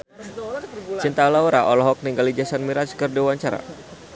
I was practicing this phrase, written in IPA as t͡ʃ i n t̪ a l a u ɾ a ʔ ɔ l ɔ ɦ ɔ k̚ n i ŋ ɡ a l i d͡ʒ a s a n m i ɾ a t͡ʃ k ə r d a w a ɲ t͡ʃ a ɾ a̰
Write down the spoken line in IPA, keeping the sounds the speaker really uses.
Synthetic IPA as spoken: t͡ʃ i n t̪ a l a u ɾ a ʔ ɔ l ɔ ɦ ɔ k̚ n i ŋ ɡ a l i d͡ʒ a s a n m i ɾ a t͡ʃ k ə r d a w a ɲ t͡ʃ a ɾ a̰